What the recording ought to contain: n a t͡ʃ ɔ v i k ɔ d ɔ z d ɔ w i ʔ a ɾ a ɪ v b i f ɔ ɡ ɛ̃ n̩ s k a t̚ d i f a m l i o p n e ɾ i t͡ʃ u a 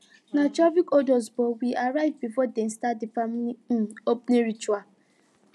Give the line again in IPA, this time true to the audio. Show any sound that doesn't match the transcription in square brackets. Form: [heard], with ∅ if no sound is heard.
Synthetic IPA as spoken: n a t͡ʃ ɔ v i k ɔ d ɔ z [b] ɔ w i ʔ a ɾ a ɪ v b i f ɔ [d] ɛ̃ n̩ s [t] a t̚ d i f a m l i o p n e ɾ i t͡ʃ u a